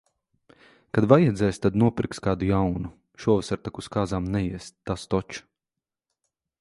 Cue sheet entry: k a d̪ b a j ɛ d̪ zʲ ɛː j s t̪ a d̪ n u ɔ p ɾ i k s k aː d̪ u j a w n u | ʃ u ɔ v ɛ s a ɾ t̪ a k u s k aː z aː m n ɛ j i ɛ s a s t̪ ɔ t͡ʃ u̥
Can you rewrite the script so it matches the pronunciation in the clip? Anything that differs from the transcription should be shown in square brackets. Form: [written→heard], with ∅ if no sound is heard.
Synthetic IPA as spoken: k a d̪ [b→v] a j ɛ d̪ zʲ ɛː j s t̪ a d̪ n u ɔ p ɾ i k s k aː d̪ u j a w n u | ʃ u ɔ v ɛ s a ɾ t̪ a k u s k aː z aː m n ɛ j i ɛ s a s t̪ ɔ t͡ʃ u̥

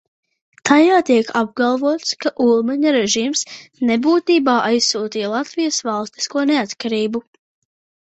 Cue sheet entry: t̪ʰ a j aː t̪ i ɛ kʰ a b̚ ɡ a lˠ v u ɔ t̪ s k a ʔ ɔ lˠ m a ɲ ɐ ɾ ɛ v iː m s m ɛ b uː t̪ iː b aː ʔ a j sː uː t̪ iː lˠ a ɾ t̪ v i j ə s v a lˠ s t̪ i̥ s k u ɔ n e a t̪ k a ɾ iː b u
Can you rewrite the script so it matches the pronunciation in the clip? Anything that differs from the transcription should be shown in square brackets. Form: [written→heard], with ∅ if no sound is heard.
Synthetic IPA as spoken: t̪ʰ a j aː t̪ i ɛ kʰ a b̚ ɡ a lˠ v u ɔ t̪ s k a ʔ [ɔ→u] lˠ m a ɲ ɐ ɾ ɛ [v→ʒ] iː m s [m→n] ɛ b uː t̪ iː b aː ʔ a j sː uː t̪ iː lˠ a [ɾ→∅] t̪ v i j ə s v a lˠ s t̪ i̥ s k u ɔ n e a t̪ k a ɾ iː b u

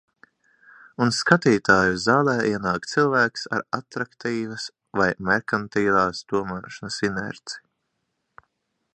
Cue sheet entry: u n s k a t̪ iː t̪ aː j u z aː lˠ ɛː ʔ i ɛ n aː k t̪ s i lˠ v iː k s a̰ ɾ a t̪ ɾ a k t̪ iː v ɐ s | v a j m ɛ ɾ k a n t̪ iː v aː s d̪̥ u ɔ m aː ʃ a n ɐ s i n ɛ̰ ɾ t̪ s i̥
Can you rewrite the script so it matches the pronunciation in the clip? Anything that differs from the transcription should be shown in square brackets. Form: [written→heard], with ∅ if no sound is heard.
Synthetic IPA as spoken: u n s k a t̪ iː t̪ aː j u z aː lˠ ɛː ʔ i ɛ n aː k t̪ s i lˠ v [iː→æː] k s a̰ ɾ a t̪ ɾ a k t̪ iː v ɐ s | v a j m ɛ ɾ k a n t̪ iː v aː s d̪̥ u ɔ m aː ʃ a n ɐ s i n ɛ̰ ɾ t̪ s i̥

